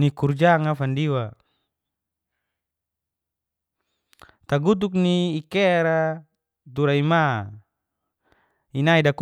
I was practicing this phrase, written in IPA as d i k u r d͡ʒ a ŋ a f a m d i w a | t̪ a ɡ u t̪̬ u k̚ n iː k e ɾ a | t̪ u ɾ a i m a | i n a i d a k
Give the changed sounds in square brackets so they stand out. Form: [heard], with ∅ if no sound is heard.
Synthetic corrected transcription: [n] i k u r d͡ʒ a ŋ a f a [n] d i w a | t̪ a ɡ u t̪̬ u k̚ n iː k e ɾ a | t̪ u ɾ a i m a | i n a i d a k